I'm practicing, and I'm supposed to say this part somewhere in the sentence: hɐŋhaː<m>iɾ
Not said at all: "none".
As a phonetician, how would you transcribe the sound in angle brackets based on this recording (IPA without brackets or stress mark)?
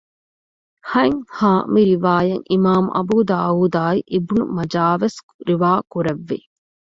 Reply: m